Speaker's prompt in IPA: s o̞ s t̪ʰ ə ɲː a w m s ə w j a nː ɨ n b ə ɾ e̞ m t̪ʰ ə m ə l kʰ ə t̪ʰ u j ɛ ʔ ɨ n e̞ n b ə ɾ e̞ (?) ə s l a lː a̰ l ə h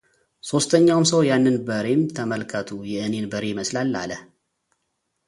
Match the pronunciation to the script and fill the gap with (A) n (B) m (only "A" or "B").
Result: B